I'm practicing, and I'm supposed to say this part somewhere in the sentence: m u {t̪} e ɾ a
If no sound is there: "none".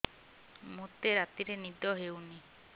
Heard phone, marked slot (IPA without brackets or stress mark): t̪